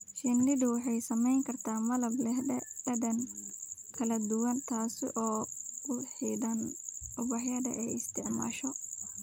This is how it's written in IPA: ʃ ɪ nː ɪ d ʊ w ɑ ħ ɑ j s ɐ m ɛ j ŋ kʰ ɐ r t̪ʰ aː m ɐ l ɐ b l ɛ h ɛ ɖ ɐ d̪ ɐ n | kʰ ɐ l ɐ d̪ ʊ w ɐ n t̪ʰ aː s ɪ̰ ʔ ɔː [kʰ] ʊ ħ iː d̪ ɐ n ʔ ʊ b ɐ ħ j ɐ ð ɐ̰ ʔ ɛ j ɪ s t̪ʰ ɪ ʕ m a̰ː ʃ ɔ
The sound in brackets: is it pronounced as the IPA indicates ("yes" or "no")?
no